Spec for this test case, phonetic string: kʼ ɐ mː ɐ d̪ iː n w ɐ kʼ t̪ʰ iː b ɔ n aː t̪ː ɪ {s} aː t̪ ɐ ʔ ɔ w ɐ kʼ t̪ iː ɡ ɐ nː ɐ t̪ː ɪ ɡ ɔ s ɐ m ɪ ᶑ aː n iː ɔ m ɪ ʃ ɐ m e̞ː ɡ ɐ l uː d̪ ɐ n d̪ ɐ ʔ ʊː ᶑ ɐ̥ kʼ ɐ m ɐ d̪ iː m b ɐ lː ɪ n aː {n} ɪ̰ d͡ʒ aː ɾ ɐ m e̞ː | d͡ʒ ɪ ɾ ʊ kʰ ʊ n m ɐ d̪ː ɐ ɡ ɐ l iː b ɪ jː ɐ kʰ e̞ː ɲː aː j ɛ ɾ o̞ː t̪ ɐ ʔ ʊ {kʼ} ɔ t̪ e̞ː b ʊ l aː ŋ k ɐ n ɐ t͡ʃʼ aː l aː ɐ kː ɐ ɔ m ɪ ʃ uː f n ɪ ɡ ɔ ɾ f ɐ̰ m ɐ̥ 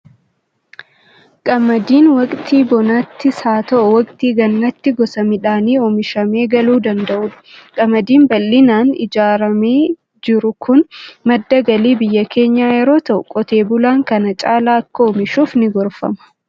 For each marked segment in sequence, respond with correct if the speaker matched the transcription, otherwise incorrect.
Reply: correct, correct, correct

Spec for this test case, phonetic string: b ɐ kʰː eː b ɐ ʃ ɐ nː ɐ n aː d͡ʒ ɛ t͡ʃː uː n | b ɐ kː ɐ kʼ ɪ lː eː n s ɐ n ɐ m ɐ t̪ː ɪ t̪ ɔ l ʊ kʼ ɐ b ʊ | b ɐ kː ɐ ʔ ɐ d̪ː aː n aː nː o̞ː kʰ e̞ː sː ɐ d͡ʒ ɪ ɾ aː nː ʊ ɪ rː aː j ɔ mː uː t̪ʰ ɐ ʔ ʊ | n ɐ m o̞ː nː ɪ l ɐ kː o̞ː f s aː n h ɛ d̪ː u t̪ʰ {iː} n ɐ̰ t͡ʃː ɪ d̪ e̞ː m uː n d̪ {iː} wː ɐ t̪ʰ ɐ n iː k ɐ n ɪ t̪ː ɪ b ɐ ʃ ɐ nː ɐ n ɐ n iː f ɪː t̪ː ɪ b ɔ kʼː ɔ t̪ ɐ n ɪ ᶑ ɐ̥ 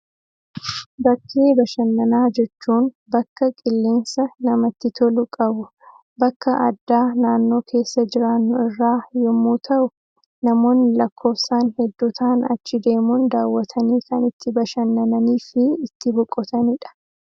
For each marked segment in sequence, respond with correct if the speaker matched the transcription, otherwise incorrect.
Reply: incorrect, incorrect

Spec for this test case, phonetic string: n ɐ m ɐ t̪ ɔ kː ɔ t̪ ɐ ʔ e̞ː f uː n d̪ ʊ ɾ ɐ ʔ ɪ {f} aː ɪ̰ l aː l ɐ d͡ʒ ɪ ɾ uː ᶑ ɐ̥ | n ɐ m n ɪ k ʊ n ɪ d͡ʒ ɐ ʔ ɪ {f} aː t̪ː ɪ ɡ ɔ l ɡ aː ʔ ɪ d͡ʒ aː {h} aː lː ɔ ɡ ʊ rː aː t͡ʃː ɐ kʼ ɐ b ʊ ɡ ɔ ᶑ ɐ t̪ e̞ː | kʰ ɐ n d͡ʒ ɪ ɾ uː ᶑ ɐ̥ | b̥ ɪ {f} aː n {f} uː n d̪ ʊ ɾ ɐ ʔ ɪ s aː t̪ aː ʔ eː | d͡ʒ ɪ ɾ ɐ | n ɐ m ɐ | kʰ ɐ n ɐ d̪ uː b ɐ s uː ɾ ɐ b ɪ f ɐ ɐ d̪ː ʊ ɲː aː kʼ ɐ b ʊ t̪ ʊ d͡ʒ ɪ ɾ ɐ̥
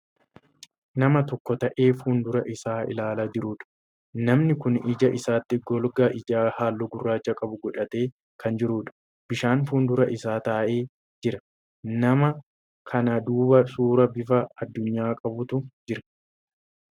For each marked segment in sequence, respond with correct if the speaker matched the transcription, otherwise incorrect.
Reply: incorrect, incorrect, correct, incorrect, correct

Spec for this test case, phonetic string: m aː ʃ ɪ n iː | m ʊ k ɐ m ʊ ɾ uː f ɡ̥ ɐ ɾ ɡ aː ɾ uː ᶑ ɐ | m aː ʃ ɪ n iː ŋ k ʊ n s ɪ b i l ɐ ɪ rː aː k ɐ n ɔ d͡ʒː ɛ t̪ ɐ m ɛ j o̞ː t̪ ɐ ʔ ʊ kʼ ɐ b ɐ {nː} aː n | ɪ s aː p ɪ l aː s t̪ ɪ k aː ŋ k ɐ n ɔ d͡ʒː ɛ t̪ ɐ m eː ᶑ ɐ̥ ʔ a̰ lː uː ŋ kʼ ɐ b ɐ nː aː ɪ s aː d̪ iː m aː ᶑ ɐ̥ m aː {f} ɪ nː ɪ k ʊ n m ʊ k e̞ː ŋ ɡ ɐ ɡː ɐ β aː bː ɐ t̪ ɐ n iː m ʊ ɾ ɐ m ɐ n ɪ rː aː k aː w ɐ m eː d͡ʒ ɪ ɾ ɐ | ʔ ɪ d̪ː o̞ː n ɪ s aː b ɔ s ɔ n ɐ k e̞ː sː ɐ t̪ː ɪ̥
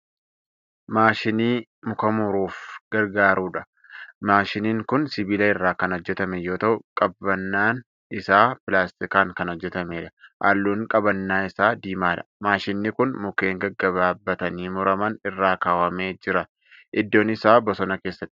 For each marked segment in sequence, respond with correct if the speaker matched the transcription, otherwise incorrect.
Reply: correct, incorrect

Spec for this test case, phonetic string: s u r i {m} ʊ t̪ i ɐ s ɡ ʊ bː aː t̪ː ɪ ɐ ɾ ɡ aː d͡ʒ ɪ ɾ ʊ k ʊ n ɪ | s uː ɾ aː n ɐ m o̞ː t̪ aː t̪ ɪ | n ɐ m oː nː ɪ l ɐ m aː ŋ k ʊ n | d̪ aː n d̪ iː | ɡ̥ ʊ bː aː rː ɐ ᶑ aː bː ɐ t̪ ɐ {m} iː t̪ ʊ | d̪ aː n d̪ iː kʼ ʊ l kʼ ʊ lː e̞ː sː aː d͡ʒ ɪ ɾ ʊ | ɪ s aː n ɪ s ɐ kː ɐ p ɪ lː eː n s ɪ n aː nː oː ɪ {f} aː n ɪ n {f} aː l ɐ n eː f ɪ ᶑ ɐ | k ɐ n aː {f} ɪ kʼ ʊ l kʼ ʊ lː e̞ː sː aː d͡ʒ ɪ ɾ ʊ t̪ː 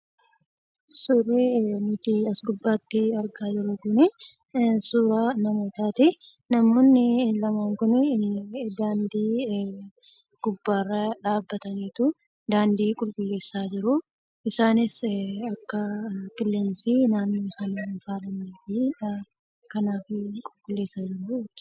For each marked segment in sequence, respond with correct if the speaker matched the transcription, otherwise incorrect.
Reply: incorrect, incorrect, incorrect, correct, correct

